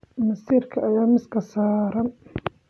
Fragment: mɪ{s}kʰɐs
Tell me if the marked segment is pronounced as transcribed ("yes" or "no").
yes